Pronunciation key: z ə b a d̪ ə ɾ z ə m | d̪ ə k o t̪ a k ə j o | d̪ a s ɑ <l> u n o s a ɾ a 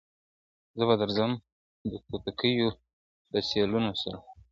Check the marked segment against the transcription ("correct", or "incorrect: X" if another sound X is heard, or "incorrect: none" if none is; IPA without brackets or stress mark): correct